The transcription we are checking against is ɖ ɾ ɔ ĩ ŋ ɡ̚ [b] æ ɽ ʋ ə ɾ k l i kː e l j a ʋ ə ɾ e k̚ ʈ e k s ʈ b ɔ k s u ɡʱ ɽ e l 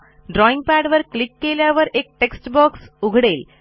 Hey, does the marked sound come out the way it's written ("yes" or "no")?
no